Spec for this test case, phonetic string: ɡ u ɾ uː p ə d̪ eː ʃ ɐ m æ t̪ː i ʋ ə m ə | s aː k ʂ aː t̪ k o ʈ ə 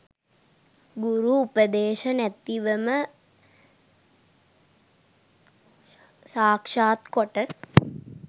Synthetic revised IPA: ɡ u ɾ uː p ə d̪ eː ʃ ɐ n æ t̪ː i ʋ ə m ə | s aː k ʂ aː t̪ k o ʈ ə